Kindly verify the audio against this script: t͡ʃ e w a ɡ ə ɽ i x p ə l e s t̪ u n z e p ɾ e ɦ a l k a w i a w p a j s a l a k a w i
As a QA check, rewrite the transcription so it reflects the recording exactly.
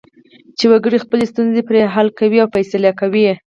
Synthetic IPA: t͡ʃ e w a ɡ ə ɽ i x p ə l e s t̪ u n z e p ɾ e ɦ a l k a w i a w p a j s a l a k a w i